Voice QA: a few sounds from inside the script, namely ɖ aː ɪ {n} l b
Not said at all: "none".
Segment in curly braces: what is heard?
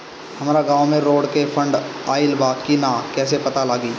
none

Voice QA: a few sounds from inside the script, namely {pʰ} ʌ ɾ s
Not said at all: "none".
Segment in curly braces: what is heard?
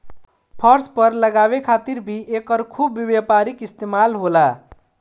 pʰ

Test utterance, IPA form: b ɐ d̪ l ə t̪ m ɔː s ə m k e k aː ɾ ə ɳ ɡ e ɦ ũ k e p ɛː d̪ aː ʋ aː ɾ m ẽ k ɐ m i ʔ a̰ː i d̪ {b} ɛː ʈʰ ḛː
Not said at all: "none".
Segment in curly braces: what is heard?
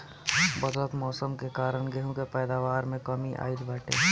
b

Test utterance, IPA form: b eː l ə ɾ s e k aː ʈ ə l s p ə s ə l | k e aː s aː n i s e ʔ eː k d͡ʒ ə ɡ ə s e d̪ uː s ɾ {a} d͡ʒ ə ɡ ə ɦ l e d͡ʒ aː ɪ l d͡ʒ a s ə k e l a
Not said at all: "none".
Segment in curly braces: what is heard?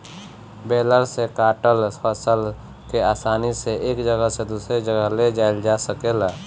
e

